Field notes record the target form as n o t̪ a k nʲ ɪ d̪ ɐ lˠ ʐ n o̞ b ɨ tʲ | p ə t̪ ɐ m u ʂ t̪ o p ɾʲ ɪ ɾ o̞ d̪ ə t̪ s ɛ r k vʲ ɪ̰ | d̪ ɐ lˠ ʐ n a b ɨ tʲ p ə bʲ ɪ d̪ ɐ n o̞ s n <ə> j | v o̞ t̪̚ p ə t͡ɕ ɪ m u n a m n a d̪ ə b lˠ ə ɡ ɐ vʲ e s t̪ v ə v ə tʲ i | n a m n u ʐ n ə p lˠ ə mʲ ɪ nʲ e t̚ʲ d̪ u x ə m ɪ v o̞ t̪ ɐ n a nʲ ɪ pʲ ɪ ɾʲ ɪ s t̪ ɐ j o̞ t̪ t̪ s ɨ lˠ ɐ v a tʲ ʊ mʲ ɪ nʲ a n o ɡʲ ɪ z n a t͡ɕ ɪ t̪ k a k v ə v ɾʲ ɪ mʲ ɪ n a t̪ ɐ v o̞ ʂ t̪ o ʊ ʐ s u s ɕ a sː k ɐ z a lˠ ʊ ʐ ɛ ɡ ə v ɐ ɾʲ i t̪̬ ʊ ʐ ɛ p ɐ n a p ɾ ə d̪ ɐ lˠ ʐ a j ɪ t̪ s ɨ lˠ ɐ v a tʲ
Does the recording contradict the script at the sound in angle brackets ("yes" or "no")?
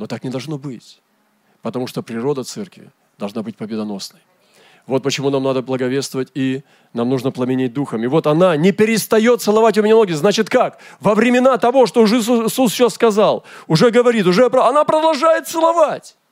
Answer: no